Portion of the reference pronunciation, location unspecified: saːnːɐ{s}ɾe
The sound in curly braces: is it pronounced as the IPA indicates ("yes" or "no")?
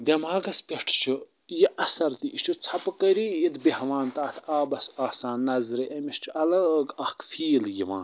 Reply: no